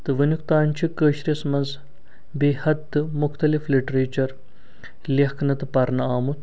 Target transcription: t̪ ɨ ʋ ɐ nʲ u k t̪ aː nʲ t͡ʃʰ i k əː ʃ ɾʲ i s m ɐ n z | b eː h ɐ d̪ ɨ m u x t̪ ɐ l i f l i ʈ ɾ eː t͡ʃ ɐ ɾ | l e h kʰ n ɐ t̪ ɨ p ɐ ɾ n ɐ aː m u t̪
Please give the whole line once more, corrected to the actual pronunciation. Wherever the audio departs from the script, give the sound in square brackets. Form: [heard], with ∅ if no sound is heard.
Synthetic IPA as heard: t̪ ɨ ʋ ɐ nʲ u k t̪ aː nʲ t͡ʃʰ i k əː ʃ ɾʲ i s m ɐ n z | b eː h ɐ d̪ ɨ m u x t̪ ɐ l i f l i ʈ ɾ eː t͡ʃ ɐ ɾ | l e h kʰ n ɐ t̪ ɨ p ɐ ɾ n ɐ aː m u t̪